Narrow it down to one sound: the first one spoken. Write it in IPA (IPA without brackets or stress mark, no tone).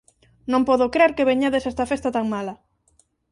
n